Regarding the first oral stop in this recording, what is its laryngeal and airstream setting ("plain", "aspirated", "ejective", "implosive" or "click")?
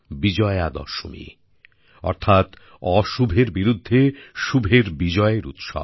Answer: plain